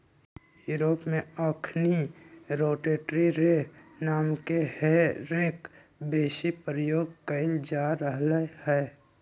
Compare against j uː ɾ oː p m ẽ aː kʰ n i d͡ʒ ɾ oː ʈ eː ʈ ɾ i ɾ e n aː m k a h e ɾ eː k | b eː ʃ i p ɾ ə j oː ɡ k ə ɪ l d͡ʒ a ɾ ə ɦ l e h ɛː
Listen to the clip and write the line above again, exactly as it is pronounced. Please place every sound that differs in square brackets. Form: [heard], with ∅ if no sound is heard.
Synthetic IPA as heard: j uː ɾ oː p m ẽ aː kʰ n i [∅] ɾ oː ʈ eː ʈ ɾ i ɾ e n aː m k [e] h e ɾ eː k | b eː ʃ i p ɾ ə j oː ɡ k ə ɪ l d͡ʒ a ɾ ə ɦ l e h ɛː